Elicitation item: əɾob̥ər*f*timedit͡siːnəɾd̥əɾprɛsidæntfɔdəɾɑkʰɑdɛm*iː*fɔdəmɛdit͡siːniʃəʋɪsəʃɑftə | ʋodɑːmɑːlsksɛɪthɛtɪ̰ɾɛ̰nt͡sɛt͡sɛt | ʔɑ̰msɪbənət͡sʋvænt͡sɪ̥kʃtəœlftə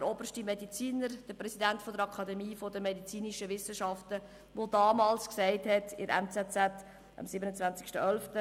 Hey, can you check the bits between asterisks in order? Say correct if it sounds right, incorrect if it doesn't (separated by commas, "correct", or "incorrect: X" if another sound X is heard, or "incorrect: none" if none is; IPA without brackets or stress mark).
incorrect: ʃ, correct